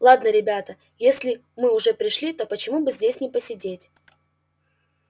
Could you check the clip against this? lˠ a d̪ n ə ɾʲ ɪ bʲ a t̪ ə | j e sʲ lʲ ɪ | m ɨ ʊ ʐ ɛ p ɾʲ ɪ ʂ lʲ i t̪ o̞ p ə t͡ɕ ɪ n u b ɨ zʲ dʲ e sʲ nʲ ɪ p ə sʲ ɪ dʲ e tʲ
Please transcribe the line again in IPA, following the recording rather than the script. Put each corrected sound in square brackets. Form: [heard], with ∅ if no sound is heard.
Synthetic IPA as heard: lˠ a d̪ n ə ɾʲ ɪ bʲ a t̪ ə | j e sʲ lʲ ɪ | m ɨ ʊ ʐ ɛ p ɾʲ ɪ ʂ lʲ i t̪ o̞ p ə t͡ɕ ɪ [m] u b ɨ zʲ dʲ e sʲ nʲ ɪ p ə sʲ ɪ dʲ e tʲ

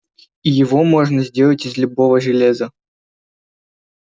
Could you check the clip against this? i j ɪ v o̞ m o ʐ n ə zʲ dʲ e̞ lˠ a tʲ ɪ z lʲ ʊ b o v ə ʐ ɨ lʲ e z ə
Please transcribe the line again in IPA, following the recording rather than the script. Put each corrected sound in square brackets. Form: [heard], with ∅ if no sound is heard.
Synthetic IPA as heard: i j ɪ v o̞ m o ʐ n ə zʲ dʲ e̞ lˠ [ə] tʲ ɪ z lʲ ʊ b o v ə ʐ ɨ lʲ e z ə

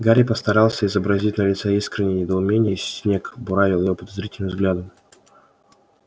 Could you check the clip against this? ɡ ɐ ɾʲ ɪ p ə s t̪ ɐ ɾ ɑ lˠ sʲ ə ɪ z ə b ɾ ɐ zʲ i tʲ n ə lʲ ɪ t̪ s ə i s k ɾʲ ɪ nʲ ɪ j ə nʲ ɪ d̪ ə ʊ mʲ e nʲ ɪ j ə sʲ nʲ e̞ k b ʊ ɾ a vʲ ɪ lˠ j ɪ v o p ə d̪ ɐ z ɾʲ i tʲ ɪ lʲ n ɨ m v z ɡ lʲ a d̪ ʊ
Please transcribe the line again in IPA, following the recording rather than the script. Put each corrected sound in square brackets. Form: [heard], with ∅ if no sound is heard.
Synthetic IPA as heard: ɡ [a] ɾʲ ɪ p ə s t̪ ɐ ɾ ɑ lˠ sʲ ə ɪ z ə b ɾ ɐ zʲ i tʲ n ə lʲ ɪ t̪ s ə i s k ɾʲ ɪ nʲ ɪ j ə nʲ ɪ d̪ ə ʊ mʲ e nʲ ɪ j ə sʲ nʲ e̞ k b ʊ ɾ a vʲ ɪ lˠ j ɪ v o p ə d̪ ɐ z ɾʲ i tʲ ɪ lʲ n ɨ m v z ɡ lʲ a d̪ ʊ

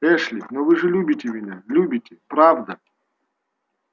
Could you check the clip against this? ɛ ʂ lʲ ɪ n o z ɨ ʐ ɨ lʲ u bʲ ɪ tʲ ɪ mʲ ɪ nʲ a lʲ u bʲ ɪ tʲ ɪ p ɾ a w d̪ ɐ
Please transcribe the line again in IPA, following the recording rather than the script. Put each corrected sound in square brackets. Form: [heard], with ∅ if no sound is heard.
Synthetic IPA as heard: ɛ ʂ lʲ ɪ n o [v] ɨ ʐ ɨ lʲ u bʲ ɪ tʲ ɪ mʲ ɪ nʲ a lʲ u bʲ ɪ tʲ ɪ p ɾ a [v] d̪ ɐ

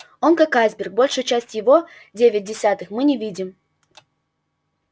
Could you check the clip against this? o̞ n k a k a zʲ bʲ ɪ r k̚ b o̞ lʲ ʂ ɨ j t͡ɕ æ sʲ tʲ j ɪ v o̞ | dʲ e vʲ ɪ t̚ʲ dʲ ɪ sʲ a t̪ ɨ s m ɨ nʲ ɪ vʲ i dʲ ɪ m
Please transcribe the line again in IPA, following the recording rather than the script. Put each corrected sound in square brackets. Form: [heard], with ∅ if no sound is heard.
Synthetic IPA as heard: o̞ n k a k a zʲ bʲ ɪ r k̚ b o̞ lʲ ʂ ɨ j t͡ɕ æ sʲ tʲ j ɪ v o̞ | dʲ e vʲ ɪ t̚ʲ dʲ ɪ sʲ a t̪ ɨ [x] m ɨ nʲ ɪ vʲ i dʲ ɪ m

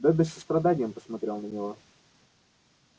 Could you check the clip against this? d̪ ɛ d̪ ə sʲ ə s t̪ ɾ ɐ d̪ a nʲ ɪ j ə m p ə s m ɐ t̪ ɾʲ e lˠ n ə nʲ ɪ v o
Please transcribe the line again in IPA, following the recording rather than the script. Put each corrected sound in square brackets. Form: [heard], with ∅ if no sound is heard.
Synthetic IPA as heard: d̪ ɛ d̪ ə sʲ ə s t̪ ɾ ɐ d̪ a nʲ ɪ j ə m p ə s m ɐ t̪ ɾʲ e lˠ n ə nʲ ɪ v o

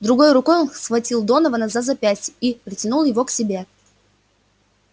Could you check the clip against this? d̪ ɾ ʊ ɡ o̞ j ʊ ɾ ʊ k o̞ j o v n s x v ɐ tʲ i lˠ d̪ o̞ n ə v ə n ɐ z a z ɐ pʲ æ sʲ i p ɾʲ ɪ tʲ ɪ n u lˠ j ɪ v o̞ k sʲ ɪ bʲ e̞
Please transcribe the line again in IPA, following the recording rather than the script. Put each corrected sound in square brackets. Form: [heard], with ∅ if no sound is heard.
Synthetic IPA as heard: d̪ ɾ ʊ ɡ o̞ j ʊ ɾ ʊ k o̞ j o [∅] n s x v ɐ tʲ i lˠ d̪ o̞ n ə v ə n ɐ z a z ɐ pʲ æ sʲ i p ɾʲ ɪ tʲ ɪ n u lˠ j ɪ v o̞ k sʲ ɪ bʲ e̞

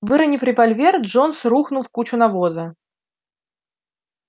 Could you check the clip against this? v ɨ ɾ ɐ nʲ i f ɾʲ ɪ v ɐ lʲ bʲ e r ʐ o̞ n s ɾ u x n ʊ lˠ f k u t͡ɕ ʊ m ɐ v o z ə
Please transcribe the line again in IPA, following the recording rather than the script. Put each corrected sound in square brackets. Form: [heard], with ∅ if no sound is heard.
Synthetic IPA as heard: v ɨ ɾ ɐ nʲ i f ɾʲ ɪ v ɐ lʲ [vʲ] e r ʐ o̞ n s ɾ u x n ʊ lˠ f k u t͡ɕ ʊ [n] ɐ v o z ə

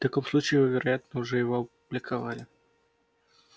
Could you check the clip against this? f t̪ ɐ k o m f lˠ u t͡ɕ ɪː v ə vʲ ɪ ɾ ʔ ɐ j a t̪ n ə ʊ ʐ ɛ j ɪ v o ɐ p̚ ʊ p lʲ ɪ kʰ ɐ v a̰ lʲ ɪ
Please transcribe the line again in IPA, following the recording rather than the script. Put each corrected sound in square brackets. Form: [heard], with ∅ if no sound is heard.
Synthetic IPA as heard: f t̪ ɐ k o m [s] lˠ u t͡ɕ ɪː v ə vʲ ɪ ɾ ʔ ɐ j a t̪ n ə ʊ ʐ ɛ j ɪ v o ɐ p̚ ʊ [b] lʲ ɪ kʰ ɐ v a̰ lʲ ɪ

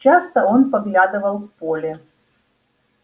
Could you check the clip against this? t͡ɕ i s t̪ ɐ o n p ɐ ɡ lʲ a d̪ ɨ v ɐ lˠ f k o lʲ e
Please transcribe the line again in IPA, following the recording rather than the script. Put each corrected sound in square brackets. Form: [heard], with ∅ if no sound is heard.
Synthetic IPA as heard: t͡ɕ [a] s t̪ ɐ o n p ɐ ɡ lʲ a d̪ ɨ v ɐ lˠ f [p] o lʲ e

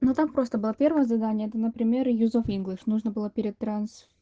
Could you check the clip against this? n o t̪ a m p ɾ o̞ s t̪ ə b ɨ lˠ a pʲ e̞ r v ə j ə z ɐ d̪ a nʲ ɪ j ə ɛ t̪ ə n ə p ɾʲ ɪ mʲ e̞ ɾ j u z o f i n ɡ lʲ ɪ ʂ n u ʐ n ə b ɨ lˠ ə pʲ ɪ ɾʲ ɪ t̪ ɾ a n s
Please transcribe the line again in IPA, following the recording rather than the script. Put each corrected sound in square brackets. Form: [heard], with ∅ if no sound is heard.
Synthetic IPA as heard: n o t̪ a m p ɾ o̞ s t̪ ə b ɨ lˠ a pʲ e̞ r v ə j ə z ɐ d̪ a nʲ ɪ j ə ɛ t̪ ə n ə p ɾʲ ɪ mʲ e̞ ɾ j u z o f i n ɡ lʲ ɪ ʂ n u ʐ n ə b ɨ lˠ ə pʲ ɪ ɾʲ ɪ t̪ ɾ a n s

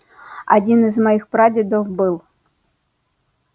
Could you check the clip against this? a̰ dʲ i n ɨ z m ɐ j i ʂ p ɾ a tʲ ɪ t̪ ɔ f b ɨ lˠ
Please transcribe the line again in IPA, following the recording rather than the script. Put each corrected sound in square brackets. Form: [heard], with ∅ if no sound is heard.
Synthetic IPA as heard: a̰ dʲ i n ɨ z m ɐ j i [x] p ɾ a [dʲ] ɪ [d̪] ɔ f b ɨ lˠ

